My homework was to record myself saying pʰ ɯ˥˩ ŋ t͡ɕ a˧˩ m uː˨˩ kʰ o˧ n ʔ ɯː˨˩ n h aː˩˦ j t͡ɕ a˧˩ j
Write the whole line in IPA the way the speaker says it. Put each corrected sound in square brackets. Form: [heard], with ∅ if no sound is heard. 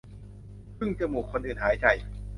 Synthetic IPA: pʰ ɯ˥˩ ŋ t͡ɕ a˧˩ m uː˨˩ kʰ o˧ n ʔ ɯː˨˩ n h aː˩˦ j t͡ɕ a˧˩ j